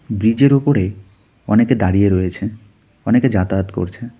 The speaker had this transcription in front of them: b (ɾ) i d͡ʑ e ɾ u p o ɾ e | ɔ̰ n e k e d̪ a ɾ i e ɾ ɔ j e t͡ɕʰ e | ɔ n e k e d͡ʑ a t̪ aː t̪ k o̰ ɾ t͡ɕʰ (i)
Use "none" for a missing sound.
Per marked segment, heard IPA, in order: ɾ, e

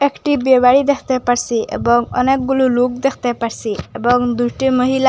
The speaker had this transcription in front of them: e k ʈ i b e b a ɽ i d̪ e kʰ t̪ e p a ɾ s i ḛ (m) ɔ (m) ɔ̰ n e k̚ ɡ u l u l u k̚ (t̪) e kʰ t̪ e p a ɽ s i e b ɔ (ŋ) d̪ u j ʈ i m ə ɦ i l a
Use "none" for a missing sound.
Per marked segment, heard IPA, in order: b, ŋ, d̪, ŋ

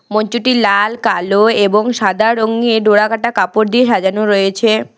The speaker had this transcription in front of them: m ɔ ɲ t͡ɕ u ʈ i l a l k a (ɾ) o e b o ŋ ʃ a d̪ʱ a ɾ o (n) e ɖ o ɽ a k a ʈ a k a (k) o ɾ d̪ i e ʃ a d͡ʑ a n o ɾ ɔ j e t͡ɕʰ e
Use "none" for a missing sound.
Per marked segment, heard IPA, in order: l, ŋ, p

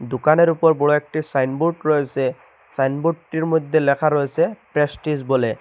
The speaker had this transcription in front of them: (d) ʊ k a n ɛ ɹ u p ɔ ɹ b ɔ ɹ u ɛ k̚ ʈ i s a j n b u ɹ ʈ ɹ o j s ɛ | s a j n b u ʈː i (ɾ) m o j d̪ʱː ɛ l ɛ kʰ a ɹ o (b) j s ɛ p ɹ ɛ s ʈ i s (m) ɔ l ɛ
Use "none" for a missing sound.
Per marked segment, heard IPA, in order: d, ɹ, none, b

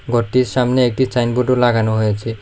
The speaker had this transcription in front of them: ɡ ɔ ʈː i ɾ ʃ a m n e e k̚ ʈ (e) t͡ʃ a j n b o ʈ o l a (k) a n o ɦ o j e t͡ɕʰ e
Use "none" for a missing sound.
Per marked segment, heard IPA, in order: i, ɡ

